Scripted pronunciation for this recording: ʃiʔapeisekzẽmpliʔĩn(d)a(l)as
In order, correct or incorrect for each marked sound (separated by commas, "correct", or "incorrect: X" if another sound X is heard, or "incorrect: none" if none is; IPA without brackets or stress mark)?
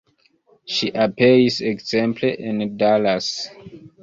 correct, correct